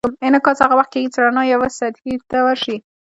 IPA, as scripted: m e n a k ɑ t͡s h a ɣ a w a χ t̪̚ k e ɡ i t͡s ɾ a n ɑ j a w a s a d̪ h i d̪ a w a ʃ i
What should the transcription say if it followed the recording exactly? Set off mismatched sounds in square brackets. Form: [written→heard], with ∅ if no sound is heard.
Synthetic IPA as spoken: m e n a k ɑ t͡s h a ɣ a w a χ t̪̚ k e ɡ i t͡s ɾ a n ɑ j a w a s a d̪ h i [d̪→t̪] a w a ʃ i